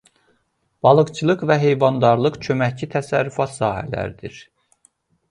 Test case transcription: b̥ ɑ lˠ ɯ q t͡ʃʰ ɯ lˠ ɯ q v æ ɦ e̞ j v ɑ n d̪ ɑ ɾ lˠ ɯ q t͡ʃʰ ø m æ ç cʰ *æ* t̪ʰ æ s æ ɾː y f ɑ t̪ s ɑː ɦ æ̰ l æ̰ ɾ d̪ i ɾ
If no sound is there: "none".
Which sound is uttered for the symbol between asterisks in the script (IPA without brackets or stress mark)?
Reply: i